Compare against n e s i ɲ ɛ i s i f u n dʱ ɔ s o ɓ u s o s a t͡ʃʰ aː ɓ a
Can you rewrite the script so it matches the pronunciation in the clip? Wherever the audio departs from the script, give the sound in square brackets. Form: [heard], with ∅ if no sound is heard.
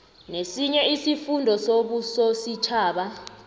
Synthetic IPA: n e s i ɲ ɛ i s i f u n dʱ ɔ s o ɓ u s o s [i] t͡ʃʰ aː ɓ a